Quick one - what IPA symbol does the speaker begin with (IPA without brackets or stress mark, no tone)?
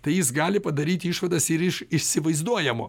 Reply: t̪